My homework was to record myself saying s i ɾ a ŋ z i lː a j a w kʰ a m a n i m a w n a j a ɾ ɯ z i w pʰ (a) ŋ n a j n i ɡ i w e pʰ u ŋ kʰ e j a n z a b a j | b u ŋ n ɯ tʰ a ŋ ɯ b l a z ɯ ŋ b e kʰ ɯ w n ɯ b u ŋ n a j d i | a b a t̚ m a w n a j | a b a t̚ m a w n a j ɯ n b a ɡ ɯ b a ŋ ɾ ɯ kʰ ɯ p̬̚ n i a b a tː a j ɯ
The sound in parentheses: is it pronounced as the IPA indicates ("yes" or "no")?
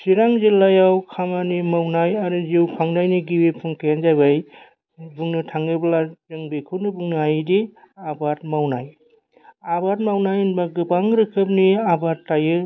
yes